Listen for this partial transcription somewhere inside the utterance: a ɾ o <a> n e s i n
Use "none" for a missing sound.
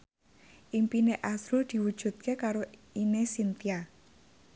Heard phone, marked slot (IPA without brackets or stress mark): i